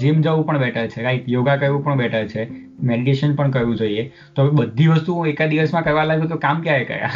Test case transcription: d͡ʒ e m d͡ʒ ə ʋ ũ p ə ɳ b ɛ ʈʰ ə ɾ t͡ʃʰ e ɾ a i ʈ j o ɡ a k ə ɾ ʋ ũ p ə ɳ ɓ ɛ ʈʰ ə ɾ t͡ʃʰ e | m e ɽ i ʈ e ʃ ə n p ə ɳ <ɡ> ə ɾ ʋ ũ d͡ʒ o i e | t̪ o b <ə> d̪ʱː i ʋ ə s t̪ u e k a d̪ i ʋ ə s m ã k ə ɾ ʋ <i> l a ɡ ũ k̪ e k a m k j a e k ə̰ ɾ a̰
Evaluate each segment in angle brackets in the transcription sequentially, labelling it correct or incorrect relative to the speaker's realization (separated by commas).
incorrect, correct, incorrect